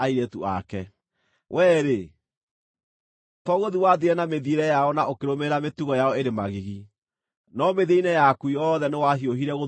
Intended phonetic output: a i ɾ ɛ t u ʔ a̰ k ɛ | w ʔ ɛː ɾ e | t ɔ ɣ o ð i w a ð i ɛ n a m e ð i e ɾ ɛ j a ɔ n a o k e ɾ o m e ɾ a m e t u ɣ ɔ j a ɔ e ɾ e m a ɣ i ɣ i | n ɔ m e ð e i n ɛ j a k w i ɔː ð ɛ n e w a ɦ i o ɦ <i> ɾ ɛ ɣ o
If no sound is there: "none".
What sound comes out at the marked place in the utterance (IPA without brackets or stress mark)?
i